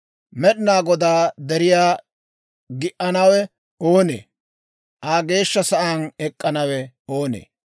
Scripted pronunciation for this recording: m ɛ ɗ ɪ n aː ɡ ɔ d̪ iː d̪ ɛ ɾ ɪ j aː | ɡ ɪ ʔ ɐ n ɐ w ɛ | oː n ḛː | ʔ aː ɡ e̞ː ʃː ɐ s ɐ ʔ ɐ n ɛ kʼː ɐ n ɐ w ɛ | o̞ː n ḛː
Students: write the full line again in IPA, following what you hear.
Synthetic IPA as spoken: m ɛ ɗ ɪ n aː ɡ ɔ d̪ aː d̪ ɛ ɾ ɪ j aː | ɡ ɪ ʔ ɐ n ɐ w ɛ | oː n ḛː | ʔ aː ɡ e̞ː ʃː ɐ s ɐ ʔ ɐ n ɛ kʼː ɐ n ɐ w ɛ | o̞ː n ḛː